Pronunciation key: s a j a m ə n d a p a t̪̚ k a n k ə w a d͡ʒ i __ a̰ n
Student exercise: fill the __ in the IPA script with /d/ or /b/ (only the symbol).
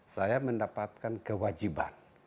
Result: b